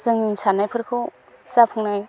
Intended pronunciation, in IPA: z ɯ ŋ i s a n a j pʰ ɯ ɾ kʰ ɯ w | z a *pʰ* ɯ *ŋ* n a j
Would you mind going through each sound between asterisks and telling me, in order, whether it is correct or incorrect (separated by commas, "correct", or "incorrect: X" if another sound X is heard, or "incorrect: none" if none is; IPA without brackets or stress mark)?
correct, correct